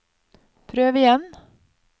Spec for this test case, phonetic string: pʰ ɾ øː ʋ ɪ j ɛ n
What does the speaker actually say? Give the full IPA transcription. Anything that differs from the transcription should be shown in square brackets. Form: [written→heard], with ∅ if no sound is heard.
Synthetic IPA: pʰ ɾ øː ʋ ɪ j ɛ n